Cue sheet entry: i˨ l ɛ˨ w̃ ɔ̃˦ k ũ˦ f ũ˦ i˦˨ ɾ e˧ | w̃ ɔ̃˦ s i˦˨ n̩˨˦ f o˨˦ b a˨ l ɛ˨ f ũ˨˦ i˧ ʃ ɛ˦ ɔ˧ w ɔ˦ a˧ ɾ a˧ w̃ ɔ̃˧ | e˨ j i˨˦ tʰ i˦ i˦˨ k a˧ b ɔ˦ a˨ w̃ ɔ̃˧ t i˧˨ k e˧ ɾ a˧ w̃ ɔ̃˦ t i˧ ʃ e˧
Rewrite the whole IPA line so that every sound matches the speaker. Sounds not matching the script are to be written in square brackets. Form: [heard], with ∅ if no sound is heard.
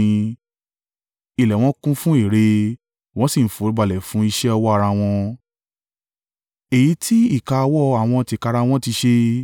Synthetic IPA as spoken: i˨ l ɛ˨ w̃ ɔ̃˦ k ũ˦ f ũ˦ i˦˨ ɾ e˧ | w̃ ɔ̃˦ s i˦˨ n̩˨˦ f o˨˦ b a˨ l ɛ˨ f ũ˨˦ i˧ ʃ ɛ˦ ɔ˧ w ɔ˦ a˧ ɾ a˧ w̃ ɔ̃˧ | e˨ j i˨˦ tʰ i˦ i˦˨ k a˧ [w] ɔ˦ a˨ w̃ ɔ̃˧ t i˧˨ k [a˧] ɾ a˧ w̃ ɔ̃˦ t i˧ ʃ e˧